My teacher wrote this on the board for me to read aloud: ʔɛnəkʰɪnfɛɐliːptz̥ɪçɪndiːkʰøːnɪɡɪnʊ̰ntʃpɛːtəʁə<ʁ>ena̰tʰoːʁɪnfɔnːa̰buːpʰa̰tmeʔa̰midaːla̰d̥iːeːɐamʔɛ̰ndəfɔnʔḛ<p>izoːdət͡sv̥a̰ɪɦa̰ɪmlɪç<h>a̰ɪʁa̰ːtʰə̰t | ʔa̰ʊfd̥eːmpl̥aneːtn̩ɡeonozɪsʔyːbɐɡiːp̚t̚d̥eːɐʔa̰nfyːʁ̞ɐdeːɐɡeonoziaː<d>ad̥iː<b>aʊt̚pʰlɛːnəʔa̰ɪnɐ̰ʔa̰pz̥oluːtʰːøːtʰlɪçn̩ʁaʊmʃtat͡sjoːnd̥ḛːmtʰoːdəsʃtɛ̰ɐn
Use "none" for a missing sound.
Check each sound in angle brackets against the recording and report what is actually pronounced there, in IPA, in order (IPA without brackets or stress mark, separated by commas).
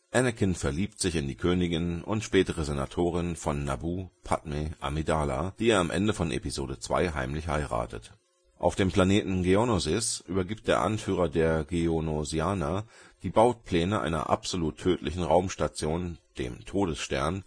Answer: z, p, h, n, b